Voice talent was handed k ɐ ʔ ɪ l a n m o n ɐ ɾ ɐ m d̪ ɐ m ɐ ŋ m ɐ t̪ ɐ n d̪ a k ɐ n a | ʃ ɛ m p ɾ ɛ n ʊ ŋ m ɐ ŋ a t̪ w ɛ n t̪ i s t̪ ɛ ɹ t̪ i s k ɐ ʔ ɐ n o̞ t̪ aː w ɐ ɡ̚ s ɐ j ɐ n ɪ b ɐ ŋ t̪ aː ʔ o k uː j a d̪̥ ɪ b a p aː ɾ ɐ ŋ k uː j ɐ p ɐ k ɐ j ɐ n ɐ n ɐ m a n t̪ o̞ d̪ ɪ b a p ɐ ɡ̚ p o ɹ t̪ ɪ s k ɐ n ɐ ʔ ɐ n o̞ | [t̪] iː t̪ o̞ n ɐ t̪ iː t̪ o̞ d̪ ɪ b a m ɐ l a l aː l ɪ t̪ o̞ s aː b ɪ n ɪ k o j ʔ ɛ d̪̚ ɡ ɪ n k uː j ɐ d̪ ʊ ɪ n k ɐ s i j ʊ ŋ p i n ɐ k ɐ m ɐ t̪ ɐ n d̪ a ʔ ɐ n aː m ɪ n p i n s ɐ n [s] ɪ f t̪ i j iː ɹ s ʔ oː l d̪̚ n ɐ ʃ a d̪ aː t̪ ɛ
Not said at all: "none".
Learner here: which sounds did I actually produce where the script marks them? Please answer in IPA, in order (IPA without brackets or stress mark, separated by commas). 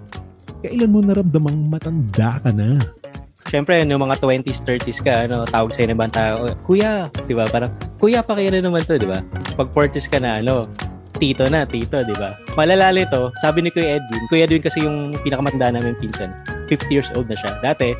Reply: t̪, f